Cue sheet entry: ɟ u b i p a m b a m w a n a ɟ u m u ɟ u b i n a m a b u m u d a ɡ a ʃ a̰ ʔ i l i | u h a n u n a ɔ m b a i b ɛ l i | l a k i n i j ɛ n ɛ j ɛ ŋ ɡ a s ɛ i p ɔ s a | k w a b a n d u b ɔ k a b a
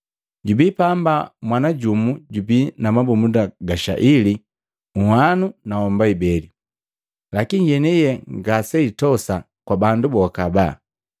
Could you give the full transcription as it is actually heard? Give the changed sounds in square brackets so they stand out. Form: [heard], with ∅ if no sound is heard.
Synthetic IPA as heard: ɟ u b i p a m b a m w a n a ɟ u m u ɟ u b i n a m a b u m u d a ɡ a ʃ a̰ ʔ i l i | u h a n u n a ɔ m b a i b ɛ l i | l a k i n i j ɛ n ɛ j ɛ ŋ ɡ a s ɛ i [t] ɔ s a | k w a b a n d u b ɔ k a b a